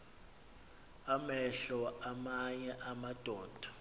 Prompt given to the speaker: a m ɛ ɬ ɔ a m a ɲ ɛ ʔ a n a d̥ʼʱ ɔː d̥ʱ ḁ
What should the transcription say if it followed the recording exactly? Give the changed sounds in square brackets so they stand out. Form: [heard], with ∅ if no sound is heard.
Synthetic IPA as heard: a m ɛ ɬ ɔ a m a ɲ ɛ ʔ a [m] a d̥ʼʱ ɔː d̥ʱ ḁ